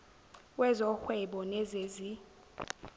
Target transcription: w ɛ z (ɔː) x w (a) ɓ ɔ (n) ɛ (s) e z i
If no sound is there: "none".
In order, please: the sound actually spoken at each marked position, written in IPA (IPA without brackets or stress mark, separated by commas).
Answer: ɔ, ɛ, n, z